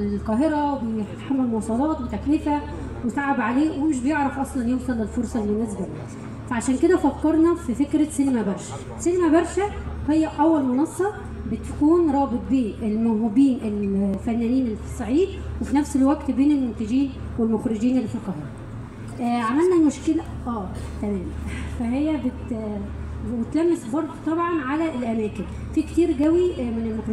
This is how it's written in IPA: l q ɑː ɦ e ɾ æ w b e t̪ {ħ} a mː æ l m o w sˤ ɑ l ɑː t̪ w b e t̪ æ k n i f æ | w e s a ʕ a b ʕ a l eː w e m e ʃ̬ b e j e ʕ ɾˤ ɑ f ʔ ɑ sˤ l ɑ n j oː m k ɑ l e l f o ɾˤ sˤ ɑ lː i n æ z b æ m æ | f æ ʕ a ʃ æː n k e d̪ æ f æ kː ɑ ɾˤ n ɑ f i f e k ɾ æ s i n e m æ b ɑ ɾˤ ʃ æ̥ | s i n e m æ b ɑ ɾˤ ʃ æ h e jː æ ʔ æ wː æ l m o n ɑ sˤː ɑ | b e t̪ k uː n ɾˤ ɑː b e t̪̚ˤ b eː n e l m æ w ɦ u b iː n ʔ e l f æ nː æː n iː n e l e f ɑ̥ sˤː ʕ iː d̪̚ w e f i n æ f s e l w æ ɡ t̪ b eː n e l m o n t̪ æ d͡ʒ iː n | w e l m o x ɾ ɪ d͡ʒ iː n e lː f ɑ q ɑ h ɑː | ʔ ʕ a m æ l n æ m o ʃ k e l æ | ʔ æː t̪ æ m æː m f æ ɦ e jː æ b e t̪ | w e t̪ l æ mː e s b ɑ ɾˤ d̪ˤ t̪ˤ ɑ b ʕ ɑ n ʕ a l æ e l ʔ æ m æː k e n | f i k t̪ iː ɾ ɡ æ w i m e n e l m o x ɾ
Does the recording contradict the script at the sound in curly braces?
no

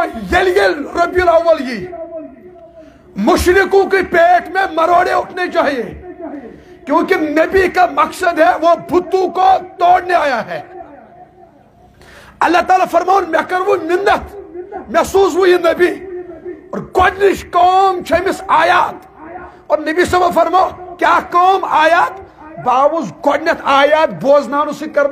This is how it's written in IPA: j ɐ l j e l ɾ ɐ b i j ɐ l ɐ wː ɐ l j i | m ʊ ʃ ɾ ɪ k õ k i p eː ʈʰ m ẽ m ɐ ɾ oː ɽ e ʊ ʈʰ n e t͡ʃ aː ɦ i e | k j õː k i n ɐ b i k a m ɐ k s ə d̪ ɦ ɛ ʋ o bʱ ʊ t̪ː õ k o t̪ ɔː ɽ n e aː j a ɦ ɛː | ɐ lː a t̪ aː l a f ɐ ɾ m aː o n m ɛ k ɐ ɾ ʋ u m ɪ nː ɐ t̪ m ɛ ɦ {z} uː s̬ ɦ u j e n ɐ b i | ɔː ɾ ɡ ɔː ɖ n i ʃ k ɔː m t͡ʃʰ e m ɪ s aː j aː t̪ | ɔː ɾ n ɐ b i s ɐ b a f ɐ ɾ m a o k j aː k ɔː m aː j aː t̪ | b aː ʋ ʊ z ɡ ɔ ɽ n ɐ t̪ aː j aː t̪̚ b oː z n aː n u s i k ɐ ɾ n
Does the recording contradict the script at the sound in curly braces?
yes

